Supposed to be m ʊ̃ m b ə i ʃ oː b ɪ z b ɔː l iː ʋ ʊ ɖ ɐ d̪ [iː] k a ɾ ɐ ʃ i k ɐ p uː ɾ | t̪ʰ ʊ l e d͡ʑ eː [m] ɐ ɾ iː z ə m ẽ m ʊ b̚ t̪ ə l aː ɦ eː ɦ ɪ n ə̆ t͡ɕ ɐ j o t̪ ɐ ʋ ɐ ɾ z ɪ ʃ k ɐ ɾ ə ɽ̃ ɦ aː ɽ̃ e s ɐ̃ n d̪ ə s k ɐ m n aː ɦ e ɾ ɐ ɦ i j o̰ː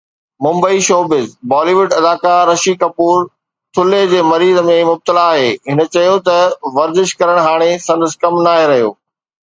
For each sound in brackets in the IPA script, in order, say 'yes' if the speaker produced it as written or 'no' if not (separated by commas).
no, yes